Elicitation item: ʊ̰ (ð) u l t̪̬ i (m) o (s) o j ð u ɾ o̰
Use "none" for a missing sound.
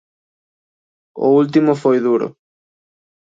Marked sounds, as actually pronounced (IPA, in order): none, m, f

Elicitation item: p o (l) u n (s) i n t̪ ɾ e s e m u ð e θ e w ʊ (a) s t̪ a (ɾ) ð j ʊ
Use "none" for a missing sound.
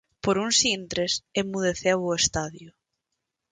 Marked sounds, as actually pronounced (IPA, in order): ɾ, s, e, none

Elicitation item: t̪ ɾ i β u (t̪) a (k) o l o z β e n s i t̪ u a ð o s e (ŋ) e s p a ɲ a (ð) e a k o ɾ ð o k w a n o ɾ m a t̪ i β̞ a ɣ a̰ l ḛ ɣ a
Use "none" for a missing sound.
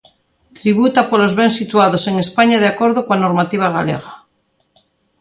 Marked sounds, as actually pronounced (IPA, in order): t̪, p, ŋ, ð

